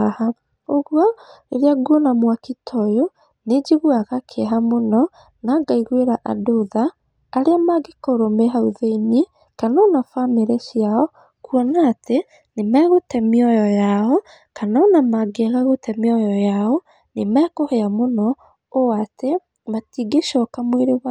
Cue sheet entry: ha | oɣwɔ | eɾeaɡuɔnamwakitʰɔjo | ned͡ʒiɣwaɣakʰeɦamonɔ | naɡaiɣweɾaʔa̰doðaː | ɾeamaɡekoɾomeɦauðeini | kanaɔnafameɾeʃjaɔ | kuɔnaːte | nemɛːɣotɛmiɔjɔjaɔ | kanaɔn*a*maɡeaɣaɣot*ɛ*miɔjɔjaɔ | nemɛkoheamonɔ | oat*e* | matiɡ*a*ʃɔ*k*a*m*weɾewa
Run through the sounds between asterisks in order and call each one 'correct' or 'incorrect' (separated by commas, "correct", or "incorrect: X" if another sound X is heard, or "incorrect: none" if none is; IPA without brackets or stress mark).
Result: correct, correct, correct, incorrect: e, correct, correct